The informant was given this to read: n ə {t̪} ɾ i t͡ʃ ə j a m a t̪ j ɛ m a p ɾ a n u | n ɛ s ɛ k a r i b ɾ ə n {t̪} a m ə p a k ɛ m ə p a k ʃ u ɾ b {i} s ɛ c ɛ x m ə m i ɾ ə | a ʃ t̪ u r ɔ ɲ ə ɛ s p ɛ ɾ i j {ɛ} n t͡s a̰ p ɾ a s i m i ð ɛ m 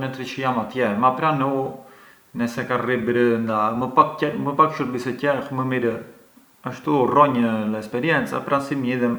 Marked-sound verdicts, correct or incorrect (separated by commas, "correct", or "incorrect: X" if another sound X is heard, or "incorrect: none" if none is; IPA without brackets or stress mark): correct, incorrect: d̪, correct, correct